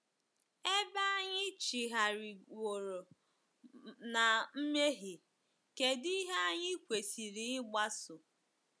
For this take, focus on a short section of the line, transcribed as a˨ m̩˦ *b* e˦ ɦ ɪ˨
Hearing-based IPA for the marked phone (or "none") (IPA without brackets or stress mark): m